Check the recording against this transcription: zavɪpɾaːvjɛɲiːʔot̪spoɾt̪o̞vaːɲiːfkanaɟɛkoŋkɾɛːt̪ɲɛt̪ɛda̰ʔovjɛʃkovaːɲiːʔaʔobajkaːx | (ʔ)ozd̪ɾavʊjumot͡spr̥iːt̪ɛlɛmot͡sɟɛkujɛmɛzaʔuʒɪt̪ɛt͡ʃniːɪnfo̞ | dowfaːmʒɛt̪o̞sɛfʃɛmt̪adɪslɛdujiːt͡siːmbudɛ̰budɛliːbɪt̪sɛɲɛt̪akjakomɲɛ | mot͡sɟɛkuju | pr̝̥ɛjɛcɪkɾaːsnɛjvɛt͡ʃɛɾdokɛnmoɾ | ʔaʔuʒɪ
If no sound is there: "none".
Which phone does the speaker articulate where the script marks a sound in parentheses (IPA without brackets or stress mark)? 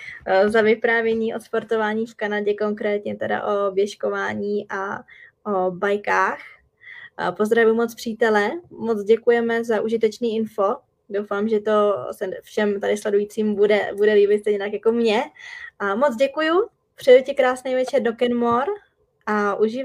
p